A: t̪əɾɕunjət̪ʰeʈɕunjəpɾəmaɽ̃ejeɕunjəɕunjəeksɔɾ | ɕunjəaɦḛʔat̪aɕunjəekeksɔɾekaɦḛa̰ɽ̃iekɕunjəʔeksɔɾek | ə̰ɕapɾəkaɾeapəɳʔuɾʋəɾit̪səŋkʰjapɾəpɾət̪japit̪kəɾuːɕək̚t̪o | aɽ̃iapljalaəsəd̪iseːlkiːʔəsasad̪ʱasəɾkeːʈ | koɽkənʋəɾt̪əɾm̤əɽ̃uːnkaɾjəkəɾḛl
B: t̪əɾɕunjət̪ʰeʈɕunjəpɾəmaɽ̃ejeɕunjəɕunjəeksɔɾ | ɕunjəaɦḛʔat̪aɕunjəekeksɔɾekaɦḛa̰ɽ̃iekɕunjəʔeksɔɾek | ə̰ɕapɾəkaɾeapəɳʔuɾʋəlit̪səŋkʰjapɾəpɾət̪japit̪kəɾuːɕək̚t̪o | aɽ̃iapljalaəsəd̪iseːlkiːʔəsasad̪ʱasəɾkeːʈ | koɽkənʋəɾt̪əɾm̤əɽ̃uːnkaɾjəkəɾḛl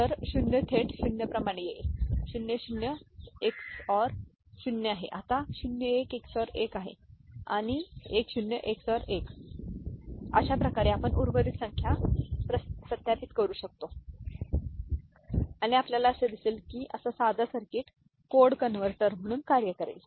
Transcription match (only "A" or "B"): A